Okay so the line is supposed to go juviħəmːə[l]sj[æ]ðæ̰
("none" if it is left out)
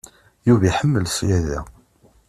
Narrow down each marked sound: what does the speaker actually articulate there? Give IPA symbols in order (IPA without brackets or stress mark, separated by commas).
l, æ